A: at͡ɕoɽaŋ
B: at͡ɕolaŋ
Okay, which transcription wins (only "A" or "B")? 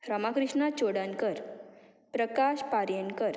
A